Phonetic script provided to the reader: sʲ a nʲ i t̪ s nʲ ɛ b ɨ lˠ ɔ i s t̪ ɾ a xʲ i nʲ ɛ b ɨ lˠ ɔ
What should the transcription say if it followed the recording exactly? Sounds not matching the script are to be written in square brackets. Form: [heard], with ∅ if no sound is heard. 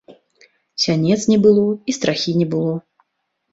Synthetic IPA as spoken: sʲ a nʲ [ɛ] t̪ s nʲ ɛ b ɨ lˠ ɔ i s t̪ ɾ a xʲ i nʲ ɛ b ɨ lˠ ɔ